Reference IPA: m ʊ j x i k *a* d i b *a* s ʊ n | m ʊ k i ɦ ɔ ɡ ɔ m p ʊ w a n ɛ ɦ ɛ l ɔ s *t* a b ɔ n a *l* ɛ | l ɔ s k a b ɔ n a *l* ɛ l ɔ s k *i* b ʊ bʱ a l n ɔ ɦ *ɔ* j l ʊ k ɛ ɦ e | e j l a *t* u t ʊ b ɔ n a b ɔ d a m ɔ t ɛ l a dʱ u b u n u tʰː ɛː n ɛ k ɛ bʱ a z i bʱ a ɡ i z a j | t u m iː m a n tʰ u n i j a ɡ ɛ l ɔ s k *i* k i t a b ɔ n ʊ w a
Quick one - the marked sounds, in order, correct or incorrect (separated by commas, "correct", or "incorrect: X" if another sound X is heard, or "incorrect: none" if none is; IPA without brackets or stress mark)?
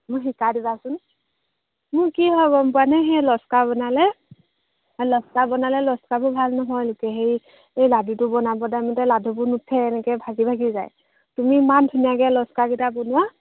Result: correct, correct, incorrect: k, correct, correct, incorrect: a, correct, incorrect: d, incorrect: a